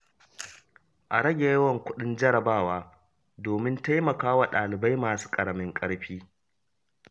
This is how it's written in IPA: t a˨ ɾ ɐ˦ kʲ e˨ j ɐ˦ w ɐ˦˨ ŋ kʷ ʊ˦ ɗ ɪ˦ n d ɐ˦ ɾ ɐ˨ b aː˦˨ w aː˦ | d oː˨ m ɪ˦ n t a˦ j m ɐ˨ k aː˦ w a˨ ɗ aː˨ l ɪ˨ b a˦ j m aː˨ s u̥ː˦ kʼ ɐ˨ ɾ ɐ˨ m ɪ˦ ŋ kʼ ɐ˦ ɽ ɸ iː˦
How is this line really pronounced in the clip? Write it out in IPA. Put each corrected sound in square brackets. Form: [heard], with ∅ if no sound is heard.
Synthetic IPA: [ʔ] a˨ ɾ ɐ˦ [ɡʲ] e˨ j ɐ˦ w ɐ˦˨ ŋ kʷ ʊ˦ ɗ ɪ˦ n [d͡ʒ] ɐ˦ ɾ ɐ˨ b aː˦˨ w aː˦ | d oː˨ m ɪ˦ n t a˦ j m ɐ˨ k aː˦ w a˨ ɗ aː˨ l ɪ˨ b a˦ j m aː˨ s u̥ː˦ kʼ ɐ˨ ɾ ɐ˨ m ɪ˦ ŋ kʼ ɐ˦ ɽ ɸ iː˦